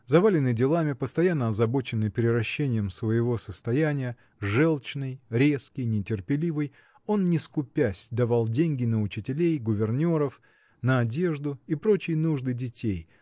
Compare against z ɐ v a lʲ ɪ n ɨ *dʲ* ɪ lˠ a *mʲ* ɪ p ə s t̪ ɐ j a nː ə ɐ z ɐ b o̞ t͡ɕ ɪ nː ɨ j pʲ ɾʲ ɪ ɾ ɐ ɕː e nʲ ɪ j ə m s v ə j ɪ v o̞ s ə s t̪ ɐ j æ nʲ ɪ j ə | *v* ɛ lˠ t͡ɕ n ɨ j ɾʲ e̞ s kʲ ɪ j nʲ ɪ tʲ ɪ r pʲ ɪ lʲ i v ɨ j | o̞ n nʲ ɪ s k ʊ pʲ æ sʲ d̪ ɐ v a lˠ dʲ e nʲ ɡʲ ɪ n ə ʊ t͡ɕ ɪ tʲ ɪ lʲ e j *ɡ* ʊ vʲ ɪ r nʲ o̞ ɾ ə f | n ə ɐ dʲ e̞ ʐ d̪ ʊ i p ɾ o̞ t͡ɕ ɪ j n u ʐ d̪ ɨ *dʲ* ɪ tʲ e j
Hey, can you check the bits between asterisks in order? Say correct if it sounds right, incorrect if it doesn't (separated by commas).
correct, correct, incorrect, correct, correct